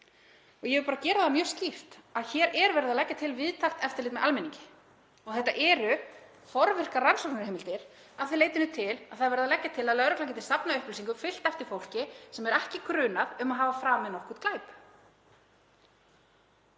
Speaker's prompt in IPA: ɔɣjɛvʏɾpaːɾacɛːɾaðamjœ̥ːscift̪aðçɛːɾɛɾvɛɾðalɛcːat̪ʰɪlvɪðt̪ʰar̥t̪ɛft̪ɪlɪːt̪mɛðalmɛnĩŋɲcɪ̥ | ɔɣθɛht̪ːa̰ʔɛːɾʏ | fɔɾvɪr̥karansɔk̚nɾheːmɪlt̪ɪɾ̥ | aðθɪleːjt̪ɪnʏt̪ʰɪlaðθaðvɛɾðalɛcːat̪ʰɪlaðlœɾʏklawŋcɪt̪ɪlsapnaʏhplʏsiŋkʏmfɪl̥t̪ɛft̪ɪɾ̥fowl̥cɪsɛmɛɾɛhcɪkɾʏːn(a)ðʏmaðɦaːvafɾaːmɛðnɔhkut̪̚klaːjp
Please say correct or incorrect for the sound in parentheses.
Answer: correct